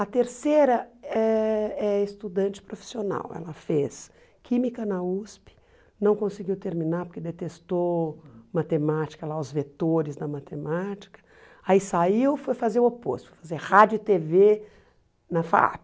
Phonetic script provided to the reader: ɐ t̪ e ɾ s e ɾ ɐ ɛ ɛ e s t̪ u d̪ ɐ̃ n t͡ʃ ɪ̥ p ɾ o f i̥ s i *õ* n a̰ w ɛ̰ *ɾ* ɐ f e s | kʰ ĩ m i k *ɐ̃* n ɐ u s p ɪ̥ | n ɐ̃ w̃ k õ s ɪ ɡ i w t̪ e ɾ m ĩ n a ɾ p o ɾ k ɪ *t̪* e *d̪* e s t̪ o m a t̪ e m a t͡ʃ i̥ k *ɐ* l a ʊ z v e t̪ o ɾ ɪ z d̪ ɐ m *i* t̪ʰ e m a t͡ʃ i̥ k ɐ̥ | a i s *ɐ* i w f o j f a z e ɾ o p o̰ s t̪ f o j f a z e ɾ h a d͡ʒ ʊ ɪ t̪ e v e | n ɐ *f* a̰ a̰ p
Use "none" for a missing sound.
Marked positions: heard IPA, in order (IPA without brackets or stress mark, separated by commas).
o, l, ɐ, d̪, t̪, ɐ, a, a, f